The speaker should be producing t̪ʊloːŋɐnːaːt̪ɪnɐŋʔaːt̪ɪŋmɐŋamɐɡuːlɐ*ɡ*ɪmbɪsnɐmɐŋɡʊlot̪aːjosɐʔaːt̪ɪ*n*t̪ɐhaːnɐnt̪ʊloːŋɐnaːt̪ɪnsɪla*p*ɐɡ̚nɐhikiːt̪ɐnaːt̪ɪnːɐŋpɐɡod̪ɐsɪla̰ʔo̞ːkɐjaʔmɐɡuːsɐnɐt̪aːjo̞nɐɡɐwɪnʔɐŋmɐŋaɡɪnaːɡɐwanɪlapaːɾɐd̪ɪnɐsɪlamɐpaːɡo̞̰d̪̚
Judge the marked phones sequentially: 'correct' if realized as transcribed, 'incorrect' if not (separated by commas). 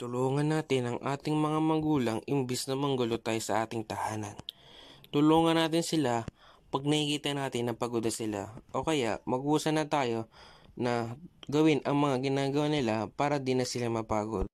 incorrect, incorrect, correct